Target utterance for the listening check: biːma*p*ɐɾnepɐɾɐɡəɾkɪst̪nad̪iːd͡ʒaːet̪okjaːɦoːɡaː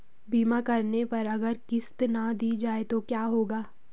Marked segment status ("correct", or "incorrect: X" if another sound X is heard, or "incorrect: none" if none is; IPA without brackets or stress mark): incorrect: k